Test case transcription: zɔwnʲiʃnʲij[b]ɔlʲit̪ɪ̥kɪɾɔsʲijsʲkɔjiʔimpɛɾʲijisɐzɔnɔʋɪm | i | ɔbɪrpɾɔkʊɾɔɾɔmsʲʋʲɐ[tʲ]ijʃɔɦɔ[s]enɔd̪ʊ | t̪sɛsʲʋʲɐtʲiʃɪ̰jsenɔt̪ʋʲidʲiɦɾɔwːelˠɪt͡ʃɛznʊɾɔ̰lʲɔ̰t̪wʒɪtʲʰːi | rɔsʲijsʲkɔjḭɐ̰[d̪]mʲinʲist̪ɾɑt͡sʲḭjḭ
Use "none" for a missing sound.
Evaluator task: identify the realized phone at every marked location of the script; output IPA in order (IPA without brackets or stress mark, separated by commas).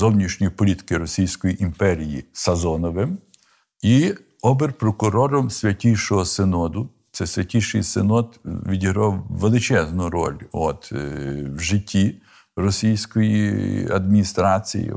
p, tʲ, s, d̪